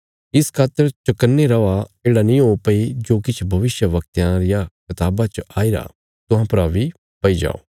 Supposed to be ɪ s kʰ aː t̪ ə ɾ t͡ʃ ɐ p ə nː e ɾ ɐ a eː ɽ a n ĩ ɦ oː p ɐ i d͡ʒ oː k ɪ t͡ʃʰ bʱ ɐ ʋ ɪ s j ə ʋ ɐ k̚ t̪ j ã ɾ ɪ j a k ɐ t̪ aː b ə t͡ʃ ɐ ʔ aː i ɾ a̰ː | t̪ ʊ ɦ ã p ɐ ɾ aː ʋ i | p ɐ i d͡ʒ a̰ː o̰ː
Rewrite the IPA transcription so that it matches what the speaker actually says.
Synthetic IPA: ɪ s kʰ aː t̪ ə ɾ t͡ʃ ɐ k ə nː e ɾ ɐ a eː ɽ a n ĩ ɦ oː p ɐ i d͡ʒ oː k ɪ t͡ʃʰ bʱ ɐ ʋ ɪ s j ə ʋ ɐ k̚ t̪ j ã ɾ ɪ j a k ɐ t̪ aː b a t͡ʃ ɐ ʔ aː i ɾ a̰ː | t̪ ʊ ɦ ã p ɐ ɾ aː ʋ i | p ɐ i d͡ʒ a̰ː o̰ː